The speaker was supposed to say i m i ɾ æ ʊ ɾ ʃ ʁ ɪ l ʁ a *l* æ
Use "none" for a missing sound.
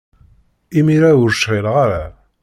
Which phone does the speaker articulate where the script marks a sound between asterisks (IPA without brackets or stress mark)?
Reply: ɾ